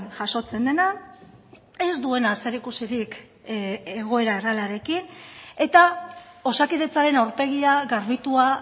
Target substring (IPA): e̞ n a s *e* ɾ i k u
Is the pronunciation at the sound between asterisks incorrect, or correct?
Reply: correct